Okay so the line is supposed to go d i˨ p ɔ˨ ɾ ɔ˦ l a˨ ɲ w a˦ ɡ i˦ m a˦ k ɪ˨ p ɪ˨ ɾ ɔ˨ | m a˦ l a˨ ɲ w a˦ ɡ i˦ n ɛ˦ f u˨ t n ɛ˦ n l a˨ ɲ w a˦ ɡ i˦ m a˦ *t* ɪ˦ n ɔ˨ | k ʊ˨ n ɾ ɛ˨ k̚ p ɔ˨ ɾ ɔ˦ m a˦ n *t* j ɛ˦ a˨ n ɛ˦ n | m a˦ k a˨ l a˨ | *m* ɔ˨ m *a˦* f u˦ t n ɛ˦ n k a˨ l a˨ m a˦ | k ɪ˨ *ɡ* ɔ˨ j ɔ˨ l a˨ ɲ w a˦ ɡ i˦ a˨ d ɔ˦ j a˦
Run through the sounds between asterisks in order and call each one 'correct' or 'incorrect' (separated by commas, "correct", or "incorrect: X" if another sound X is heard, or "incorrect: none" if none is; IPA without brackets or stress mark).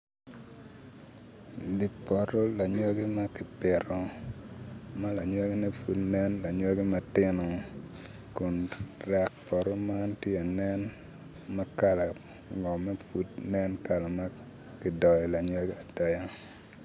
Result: correct, correct, incorrect: ŋ, incorrect: ɛ˦, incorrect: d